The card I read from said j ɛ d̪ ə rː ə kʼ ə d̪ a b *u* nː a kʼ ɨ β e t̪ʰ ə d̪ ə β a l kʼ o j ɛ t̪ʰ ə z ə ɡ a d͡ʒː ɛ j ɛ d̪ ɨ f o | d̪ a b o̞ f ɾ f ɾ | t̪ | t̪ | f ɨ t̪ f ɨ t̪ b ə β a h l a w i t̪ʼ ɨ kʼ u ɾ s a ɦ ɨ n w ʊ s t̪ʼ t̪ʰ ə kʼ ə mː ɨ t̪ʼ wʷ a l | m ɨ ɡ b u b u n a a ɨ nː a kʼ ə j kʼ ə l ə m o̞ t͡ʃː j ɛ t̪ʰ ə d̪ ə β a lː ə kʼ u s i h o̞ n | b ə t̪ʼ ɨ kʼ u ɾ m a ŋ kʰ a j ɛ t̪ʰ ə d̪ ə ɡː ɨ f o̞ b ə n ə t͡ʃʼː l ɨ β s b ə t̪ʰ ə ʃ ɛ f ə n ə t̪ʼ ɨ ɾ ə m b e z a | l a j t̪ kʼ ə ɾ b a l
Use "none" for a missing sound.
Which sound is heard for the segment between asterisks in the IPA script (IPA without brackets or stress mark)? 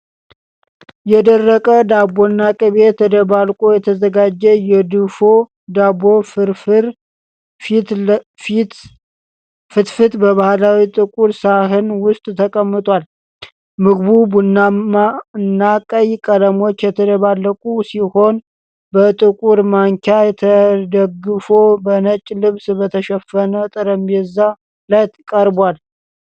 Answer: o